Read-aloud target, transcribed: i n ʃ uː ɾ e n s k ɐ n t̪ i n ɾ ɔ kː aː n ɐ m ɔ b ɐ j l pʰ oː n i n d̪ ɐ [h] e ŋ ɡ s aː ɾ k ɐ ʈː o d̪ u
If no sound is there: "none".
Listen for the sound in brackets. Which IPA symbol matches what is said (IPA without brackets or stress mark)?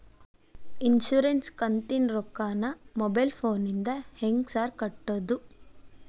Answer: h